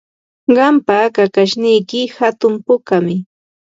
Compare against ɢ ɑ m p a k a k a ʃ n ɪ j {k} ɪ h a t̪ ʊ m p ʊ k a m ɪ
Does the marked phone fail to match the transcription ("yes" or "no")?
no